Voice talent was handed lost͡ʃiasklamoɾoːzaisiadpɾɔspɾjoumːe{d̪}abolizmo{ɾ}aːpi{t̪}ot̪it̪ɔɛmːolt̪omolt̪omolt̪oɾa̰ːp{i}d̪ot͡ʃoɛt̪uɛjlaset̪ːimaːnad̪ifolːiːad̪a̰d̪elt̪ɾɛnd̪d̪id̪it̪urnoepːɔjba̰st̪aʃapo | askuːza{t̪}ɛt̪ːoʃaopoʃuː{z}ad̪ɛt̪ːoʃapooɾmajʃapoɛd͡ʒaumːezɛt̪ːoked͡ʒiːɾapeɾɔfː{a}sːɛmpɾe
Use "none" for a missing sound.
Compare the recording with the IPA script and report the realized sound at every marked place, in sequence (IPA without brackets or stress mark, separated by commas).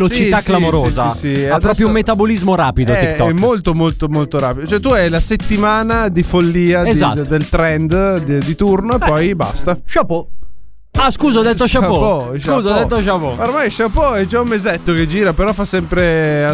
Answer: t̪, ɾ, d̪, i, d̪, z, a